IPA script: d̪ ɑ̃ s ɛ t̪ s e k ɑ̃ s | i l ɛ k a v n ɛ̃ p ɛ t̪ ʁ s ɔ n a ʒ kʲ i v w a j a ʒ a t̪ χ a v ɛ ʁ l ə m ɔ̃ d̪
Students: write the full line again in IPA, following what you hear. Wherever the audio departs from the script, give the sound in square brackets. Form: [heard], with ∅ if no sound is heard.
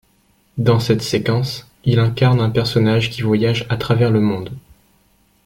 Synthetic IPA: d̪ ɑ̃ s ɛ t̪ s e k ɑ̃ s | i l [ɛ̃] k a [ʁ] n ɛ̃ p ɛ [∅] ʁ s ɔ n a ʒ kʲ i v w a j a ʒ a t̪ χ a v ɛ ʁ l ə m ɔ̃ d̪